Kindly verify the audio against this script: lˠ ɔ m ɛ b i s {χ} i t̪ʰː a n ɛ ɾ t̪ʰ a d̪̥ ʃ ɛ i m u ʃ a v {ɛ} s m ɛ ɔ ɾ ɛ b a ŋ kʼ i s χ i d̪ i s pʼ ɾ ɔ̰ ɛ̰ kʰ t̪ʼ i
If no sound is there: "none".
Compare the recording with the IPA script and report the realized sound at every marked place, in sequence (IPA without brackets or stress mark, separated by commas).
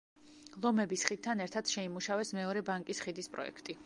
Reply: χ, ɛ